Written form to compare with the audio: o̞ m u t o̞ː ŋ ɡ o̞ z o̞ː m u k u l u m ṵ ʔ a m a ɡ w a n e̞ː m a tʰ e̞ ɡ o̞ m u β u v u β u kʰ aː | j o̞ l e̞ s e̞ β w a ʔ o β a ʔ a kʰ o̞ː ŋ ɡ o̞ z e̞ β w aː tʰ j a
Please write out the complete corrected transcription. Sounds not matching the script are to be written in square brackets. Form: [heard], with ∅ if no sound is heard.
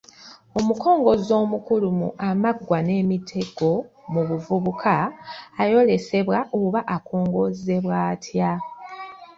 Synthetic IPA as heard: o̞ m u [k] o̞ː ŋ ɡ o̞ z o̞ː m u k u l u m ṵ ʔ a m a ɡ w a n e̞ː m [i] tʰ e̞ ɡ o̞ m u β u v u β u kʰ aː | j o̞ l e̞ s e̞ β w a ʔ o β a ʔ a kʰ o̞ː ŋ ɡ o̞ z e̞ β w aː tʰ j a

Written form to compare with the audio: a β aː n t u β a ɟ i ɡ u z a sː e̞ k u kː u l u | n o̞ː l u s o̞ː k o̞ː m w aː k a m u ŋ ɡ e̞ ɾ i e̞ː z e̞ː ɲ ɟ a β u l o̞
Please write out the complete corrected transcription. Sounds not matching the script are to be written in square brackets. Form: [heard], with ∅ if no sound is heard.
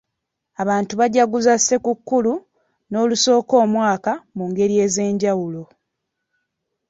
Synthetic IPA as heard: a β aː n t u β a ɟ [a] ɡ u z a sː e̞ k u kː u l u | n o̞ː l u s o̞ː k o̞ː m w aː k a m u ŋ ɡ e̞ ɾ i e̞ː z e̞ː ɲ ɟ a [w] u l o̞

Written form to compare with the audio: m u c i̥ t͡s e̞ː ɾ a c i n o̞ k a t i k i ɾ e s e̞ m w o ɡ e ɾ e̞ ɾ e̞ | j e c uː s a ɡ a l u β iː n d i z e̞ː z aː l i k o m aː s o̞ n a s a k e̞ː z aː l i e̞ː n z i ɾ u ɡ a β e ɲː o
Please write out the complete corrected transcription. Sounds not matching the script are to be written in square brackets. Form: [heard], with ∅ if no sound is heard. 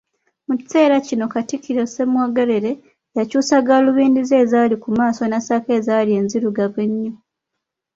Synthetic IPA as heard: m u c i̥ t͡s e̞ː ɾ a c i n o̞ k a t i k i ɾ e s e̞ m w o ɡ e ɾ e̞ ɾ e̞ | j [a] c uː s a ɡ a l u β iː n d i z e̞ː z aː l i k [u] m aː s o̞ n a s a k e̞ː z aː l i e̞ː n z i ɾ u ɡ a β e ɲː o

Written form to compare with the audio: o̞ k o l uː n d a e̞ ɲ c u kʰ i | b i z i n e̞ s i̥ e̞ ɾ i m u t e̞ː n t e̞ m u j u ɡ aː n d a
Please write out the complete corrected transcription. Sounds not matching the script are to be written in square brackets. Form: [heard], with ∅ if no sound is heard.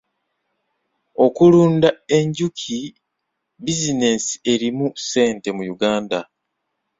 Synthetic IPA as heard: o̞ k [u] l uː n d a e̞ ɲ [ɟ] u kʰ i | b i z i n e̞ s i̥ e̞ ɾ i m u [s] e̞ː n t e̞ m u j u ɡ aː n d a

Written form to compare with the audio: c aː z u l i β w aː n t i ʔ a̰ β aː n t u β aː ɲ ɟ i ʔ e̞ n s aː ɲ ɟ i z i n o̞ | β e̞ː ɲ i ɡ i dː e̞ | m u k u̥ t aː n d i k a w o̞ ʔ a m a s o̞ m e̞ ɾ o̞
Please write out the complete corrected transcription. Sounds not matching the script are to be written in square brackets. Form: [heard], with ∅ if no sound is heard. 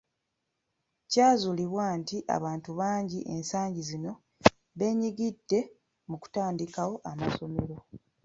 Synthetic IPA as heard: c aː z u l i β w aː n t i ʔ a̰ β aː n t u β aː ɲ ɟ i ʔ e̞ n s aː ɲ ɟ i z i n o̞ | β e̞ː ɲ i ɡ i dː e̞ | m u k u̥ t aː n d i k a w o̞ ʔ a m a s o̞ m e̞ ɾ o̞

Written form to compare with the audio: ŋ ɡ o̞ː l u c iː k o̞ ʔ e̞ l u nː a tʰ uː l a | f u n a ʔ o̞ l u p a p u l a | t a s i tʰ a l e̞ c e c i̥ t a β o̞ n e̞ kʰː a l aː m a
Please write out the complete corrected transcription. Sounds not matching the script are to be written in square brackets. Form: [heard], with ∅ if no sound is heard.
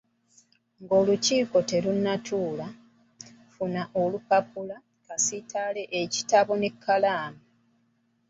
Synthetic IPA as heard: ŋ ɡ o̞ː l u c iː k o̞ [t] e̞ l u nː a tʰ uː l a | f u n a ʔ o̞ l u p a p u l a | [k] a s i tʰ a l e̞ [ʔ] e c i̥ t a β o̞ n e̞ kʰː a l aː m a

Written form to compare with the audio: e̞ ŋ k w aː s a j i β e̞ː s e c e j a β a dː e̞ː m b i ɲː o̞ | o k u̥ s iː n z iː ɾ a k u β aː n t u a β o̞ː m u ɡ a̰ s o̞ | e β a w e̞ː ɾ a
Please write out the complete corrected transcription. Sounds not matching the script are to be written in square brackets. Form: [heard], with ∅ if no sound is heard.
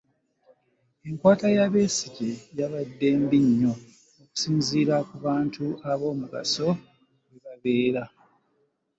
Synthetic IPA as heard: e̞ ŋ k w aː [t] a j [a] β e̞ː s [i] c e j a β a dː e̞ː m b i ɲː o̞ | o k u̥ s iː n z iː ɾ a k u β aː n t u a β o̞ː m u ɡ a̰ s o̞ | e β a [β] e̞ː ɾ a

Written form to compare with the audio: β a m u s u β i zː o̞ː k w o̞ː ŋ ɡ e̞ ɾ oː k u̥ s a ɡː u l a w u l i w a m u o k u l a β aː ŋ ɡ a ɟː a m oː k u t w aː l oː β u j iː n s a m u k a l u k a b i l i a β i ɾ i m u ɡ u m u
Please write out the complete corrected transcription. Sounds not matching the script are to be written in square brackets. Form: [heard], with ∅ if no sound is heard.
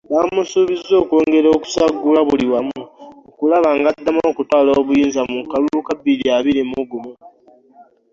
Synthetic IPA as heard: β a m u s u β i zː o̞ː k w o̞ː ŋ ɡ e̞ ɾ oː k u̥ s a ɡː u l a [β] u l i w a m u o k u l a β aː ŋ ɡ a [dː] a m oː k u t w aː l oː β u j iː n [z] a m u k a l u k a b i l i a β i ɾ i m u ɡ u m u

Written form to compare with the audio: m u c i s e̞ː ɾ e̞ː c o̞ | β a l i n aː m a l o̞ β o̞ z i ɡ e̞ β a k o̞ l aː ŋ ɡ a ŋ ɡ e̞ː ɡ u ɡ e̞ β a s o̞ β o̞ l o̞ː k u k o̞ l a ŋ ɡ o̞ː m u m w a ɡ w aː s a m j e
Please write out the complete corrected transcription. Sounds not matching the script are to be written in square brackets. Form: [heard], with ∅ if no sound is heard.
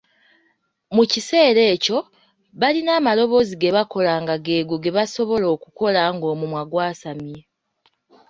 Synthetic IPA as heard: m u c i s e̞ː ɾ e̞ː c o̞ | β a l i n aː m a l o̞ β o̞ z i ɡ e̞ β a k o̞ l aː ŋ ɡ a [∅] ɡ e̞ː ɡ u ɡ e̞ β a s o̞ β o̞ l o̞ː k u k o̞ l a ŋ ɡ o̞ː m u m w a ɡ w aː s a m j e

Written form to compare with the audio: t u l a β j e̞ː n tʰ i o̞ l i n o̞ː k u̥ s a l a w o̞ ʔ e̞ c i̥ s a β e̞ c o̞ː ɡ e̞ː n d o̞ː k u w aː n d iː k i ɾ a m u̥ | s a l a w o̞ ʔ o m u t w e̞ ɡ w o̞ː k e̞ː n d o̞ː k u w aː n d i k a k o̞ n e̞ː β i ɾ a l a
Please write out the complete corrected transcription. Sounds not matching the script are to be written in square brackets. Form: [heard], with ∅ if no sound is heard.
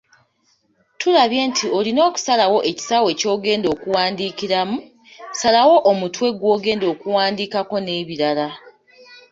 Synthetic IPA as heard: t u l a β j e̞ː n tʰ i o̞ l i n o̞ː k u̥ s a l a w o̞ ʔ e̞ c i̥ s a [w] e̞ c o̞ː ɡ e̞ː n d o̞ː k u w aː n d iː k i ɾ a m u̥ | s a l a w o̞ ʔ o m u t w e̞ ɡ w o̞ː [ɡ] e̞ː n d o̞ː k u w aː n d i k a k o̞ n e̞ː β i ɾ a l a

